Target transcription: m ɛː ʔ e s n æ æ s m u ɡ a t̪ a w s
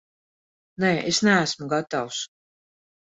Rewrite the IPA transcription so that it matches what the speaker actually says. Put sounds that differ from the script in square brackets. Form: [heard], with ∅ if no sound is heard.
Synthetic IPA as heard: [n] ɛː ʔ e s n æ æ s m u ɡ a t̪ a w s